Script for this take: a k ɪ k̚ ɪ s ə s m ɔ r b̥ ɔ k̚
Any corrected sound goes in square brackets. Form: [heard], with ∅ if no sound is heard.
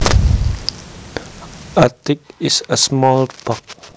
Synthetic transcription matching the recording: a [t] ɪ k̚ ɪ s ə s m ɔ [l] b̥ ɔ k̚